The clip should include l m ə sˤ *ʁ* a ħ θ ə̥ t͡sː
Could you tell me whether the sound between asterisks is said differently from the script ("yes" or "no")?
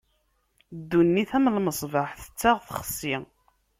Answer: yes